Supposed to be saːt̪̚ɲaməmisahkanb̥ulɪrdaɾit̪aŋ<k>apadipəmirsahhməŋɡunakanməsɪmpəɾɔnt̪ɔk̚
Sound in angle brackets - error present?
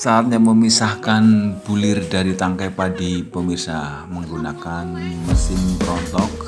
no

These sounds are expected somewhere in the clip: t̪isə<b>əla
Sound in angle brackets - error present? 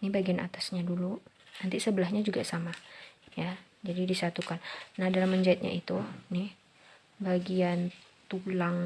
no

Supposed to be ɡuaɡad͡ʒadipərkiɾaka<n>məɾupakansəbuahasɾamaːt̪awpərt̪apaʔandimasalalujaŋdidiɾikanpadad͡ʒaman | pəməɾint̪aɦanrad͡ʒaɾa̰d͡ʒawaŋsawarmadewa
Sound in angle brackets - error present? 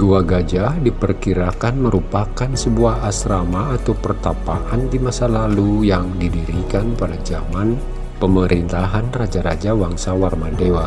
no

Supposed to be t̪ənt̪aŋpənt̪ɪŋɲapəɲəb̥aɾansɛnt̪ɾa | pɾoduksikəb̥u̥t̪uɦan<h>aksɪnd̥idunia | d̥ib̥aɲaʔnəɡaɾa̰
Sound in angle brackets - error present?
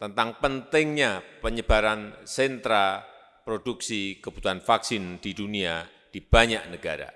yes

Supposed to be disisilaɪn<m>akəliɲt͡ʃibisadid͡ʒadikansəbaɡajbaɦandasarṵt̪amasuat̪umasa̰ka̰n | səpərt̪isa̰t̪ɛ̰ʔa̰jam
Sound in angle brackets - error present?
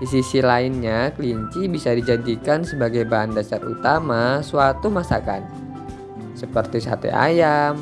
yes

